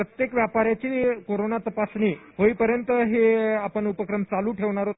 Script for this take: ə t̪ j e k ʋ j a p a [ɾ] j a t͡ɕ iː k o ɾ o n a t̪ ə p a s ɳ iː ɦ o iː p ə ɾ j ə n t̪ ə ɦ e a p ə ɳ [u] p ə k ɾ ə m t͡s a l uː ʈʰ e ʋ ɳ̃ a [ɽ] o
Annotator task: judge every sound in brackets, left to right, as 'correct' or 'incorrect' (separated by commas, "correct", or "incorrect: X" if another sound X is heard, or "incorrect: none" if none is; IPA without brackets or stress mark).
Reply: correct, correct, incorrect: ɾ